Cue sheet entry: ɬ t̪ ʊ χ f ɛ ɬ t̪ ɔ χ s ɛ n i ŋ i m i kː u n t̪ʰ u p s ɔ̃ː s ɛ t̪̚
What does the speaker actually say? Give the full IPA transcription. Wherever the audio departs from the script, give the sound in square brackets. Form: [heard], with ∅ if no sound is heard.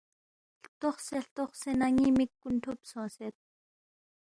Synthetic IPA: ɬ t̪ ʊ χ [s] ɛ ɬ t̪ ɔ χ s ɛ n [a] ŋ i m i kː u n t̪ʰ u p s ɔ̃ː s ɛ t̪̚